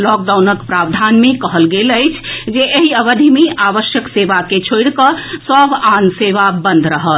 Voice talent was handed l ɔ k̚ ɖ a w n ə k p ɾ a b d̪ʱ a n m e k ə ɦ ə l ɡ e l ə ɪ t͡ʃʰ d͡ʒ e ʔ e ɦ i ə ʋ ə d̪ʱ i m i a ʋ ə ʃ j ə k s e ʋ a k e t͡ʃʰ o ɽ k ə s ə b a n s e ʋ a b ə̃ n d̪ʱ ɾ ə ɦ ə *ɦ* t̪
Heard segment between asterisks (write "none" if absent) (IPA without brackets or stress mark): none